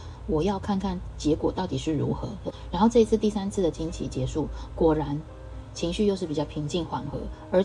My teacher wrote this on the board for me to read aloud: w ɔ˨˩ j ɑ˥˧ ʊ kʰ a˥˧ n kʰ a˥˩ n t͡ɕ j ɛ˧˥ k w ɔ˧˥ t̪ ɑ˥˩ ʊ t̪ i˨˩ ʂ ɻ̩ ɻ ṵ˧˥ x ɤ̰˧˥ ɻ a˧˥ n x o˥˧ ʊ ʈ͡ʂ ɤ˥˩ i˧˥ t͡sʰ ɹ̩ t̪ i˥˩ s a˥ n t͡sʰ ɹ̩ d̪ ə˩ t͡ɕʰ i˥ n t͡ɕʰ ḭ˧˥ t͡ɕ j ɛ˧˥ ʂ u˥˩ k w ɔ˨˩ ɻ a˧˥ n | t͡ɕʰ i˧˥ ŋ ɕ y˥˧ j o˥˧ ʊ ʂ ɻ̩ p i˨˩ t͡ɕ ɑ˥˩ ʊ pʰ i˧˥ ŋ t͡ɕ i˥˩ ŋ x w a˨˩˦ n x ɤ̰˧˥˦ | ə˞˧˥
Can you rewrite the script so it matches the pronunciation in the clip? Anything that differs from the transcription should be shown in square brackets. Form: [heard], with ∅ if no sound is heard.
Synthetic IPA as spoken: w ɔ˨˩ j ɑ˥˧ ʊ kʰ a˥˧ n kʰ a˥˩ n t͡ɕ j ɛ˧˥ k w [ɔ˨˩] t̪ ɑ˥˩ ʊ t̪ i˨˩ ʂ ɻ̩ ɻ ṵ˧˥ x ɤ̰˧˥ ɻ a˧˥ n x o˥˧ ʊ ʈ͡ʂ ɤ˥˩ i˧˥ t͡sʰ ɹ̩ t̪ i˥˩ s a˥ n t͡sʰ ɹ̩ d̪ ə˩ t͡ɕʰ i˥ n t͡ɕʰ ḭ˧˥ t͡ɕ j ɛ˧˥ ʂ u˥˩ k w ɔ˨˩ ɻ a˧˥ n | t͡ɕʰ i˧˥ ŋ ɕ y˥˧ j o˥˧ ʊ ʂ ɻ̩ p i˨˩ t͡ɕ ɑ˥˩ ʊ pʰ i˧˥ ŋ t͡ɕ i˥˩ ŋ x w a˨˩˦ n x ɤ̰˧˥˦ | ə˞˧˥